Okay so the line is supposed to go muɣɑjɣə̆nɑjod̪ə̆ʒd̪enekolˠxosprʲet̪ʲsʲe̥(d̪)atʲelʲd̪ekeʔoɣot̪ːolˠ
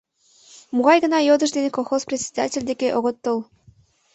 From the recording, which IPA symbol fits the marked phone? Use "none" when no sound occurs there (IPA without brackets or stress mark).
d̪